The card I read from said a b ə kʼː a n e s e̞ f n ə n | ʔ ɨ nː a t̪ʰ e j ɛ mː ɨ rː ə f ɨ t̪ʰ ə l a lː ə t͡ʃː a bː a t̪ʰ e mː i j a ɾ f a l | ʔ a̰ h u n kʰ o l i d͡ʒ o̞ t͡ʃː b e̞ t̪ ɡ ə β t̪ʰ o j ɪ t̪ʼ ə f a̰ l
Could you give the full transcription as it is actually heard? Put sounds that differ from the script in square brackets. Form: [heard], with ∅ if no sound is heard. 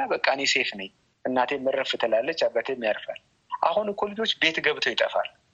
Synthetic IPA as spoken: a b ə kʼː a n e s e̞ f n ə [ɲ] | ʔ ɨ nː a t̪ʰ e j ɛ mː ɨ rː ə f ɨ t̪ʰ ə l a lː ə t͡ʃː a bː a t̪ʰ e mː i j a ɾ f a l | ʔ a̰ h u n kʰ o l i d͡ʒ o̞ t͡ʃː b e̞ t̪ ɡ ə β t̪ʰ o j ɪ t̪ʼ ə f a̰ l